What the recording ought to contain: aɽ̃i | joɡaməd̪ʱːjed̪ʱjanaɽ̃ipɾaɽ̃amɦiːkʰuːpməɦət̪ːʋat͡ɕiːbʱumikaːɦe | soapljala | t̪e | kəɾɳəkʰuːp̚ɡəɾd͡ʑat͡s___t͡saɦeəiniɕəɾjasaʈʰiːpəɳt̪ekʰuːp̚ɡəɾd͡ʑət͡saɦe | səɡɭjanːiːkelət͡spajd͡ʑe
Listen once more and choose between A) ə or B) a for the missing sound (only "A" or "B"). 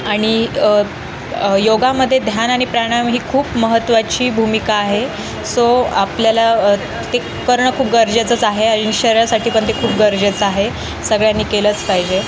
A